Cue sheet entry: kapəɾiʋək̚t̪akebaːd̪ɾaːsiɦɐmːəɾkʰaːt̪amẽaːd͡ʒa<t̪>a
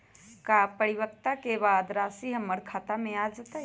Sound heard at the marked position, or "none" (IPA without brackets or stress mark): t̪